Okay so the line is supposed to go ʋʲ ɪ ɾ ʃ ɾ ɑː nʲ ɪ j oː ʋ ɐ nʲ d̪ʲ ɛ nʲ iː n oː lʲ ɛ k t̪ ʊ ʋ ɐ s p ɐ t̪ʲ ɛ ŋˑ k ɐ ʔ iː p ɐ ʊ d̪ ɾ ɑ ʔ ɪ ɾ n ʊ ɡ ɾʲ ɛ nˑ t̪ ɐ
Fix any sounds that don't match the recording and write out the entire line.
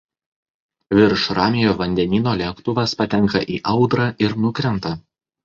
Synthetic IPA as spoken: ʋʲ ɪ ɾ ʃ ɾ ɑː mʲ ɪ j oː ʋ ɐ nʲ d̪ʲ ɛ nʲ iː n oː lʲ ɛ k t̪ ʊ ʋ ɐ s p ɐ t̪ʲ ɛ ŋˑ k ɐ ʔ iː ʔ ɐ ʊ d̪ ɾ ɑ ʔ ɪ ɾ n ʊ k ɾʲ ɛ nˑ t̪ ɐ

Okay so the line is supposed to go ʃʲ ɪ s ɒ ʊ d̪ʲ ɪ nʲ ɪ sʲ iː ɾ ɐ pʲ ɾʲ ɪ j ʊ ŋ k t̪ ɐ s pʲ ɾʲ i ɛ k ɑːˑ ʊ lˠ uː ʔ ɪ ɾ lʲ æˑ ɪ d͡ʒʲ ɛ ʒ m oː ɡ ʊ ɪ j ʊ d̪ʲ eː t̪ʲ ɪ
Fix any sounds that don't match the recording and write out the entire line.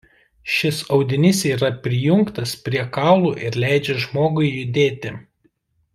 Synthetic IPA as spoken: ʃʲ ɪ s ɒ ʊ d̪ʲ ɪ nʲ ɪ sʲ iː ɾ ɐ pʲ ɾʲ ɪ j ʊ ŋ k t̪ ɐ s pʲ ɾʲ i ɛ k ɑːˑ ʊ lˠ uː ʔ ɪ ɾ lʲ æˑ ɪ d͡ʒʲ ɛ ʒ m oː ɡ ʊ ɪ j ʊ d̪ʲ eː t̪ʲ ɪ

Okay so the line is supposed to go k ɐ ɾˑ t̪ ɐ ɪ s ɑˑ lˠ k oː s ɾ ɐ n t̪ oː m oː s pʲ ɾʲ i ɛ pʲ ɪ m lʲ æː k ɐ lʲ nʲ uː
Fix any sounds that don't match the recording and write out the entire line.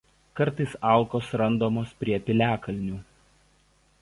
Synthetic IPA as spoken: k ɐ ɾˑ t̪ ɐ ɪ s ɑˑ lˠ k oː s ɾ ɐ n d̪ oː m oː s pʲ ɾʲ i ɛ pʲ ɪ lʲ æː k ɐ lʲ nʲ uː

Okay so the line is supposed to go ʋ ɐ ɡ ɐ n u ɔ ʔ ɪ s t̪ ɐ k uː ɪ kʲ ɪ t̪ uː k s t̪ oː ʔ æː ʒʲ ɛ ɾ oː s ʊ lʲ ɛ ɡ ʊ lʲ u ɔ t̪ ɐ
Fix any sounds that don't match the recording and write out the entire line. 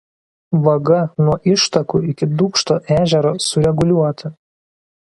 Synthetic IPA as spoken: ʋ ɐ ɡ ɐ n u ɔ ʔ ɪ ʃ t̪ ɐ k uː ɪ kʲ ɪ d̪ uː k ʃ t̪ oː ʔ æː ʒʲ ɛ ɾ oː s ʊ ɾʲ ɛ ɡ ʊ lʲ u ɔ t̪ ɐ

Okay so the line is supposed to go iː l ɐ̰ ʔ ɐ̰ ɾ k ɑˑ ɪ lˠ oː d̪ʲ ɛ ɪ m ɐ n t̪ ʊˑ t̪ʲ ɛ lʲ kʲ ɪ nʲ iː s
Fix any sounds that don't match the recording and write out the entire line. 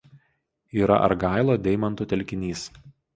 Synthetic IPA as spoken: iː ɾ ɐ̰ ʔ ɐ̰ ɾ ɡ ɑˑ ɪ lˠ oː d̪ʲ ɛ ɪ m ɐ n t̪ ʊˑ t̪ʲ ɛ lʲ kʲ ɪ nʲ iː s

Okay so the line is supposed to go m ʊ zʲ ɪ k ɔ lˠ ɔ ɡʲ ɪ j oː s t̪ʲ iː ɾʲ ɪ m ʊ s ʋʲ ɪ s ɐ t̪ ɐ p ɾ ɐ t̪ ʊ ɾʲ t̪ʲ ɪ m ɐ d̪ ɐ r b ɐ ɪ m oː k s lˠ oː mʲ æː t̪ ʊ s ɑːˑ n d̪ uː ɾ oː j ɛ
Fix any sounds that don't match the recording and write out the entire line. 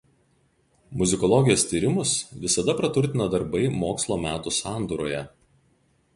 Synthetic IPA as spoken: m ʊ zʲ ɪ k ɔ lˠ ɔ ɡʲ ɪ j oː s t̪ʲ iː ɾʲ ɪ m ʊ s ʋʲ ɪ s ɐ d̪ ɐ p ɾ ɐ t̪ ʊ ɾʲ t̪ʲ ɪ n ɐ d̪ ɐ ɾ b ɐ ɪ m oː k s lˠ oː mʲ æː t̪ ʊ s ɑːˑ n d̪ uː ɾ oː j ɛ

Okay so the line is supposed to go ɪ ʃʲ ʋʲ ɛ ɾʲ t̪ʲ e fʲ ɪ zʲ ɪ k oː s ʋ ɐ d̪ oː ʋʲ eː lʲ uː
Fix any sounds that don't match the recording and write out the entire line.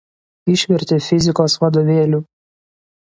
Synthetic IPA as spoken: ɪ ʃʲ ʋʲ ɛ ɾʲ t̪ʲ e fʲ ɪ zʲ ɪ k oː s ʋ ɐ d̪ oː ʋʲ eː lʲ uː

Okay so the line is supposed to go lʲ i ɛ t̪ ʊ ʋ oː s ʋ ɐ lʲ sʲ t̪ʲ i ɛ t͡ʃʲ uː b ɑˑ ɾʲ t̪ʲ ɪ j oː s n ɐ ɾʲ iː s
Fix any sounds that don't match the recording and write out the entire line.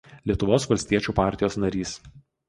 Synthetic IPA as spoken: lʲ i ɛ t̪ ʊ ʋ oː s ʋ ɐ lʲ sʲ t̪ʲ i ɛ t͡ʃʲ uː p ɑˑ ɾʲ t̪ʲ ɪ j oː s n ɐ ɾʲ iː s

